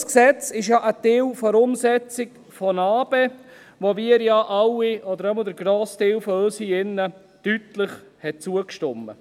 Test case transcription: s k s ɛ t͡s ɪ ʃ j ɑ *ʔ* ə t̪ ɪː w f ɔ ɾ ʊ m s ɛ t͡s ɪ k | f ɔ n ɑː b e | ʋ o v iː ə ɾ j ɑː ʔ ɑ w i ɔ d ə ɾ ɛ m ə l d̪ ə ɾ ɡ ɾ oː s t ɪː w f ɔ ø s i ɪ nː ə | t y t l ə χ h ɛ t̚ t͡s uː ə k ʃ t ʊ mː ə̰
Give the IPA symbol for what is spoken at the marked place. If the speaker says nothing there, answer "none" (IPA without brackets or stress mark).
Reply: ʔ